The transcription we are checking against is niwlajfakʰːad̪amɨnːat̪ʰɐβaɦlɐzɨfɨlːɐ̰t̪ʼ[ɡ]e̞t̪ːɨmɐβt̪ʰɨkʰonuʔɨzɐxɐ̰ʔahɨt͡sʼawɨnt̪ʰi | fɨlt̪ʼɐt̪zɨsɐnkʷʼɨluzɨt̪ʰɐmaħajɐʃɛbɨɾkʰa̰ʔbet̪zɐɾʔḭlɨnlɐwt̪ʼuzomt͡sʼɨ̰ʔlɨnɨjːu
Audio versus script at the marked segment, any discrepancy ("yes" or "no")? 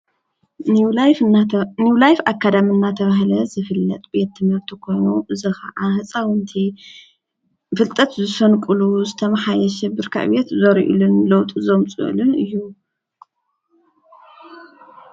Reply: yes